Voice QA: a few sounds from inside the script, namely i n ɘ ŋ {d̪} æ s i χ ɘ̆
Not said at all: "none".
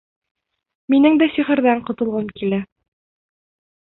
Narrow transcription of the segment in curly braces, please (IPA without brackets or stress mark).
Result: d̪